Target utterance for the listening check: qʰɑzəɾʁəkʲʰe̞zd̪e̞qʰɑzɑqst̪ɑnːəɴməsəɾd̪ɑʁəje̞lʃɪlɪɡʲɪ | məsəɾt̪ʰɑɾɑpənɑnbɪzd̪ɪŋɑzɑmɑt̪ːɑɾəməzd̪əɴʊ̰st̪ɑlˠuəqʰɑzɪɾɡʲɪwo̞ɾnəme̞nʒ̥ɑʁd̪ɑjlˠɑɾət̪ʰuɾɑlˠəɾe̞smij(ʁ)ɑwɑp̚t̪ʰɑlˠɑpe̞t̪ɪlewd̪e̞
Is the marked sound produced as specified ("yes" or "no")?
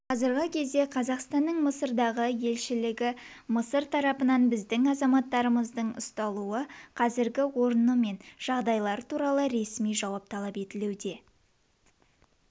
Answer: no